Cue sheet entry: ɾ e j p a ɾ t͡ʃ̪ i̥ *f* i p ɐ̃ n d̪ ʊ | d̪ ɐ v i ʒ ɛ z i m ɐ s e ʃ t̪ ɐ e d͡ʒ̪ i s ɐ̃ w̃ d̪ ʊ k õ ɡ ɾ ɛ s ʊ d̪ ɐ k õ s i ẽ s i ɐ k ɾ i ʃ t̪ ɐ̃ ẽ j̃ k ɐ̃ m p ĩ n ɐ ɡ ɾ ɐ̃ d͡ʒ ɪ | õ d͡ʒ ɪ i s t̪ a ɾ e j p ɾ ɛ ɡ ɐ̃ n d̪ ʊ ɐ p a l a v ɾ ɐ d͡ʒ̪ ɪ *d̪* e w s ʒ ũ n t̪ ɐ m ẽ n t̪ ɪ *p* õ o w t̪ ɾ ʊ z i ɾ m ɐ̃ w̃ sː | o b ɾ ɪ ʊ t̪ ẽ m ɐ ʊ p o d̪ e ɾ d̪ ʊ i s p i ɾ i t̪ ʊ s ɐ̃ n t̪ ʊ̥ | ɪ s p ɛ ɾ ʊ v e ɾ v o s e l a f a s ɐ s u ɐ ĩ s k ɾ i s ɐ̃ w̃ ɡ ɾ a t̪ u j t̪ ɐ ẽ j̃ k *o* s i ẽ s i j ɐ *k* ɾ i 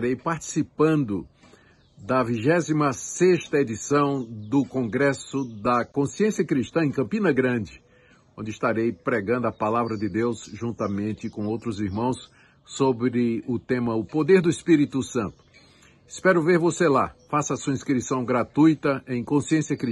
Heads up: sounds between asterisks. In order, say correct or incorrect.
incorrect, correct, incorrect, incorrect, correct

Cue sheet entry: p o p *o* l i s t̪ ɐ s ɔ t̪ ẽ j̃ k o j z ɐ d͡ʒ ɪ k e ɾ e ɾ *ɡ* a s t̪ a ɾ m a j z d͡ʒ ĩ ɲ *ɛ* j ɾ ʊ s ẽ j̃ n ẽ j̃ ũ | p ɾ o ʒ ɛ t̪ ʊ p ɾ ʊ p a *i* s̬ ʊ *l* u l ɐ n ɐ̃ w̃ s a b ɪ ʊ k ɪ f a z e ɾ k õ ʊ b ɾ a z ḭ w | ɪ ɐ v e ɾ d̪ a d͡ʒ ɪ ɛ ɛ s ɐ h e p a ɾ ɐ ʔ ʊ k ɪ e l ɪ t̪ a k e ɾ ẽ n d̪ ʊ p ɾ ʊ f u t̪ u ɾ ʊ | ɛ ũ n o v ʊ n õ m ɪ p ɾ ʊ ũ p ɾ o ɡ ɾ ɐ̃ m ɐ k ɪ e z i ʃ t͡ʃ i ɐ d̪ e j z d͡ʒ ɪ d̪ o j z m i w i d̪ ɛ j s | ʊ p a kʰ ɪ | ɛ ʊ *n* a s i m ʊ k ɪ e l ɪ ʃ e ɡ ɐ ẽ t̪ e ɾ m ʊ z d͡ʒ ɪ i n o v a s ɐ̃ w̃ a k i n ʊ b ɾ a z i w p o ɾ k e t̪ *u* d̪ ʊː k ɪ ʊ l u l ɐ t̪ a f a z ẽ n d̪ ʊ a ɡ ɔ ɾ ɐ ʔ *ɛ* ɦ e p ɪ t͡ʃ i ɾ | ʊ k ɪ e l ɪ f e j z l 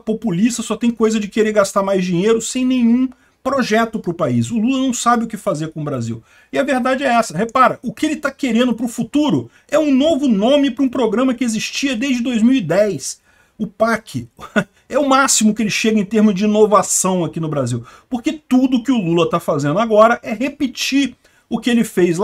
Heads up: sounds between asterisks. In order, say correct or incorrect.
incorrect, correct, incorrect, correct, correct, incorrect, correct, correct

